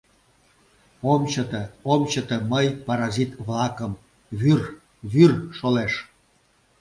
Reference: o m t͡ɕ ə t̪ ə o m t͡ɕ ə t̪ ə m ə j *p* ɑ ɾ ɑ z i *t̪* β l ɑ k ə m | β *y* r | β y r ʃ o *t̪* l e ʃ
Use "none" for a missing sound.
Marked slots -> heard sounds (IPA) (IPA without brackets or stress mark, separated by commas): p, t̪, y, none